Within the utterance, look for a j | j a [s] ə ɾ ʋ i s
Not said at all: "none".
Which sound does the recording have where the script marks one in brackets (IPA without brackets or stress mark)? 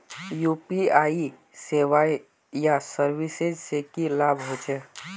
s